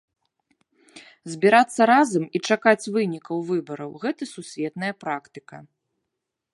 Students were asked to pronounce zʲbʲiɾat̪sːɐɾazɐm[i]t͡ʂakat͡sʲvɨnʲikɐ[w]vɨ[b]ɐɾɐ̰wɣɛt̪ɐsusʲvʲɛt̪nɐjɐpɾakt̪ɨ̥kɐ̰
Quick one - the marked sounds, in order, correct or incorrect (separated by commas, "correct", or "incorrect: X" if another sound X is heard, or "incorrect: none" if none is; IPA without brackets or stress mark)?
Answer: correct, correct, correct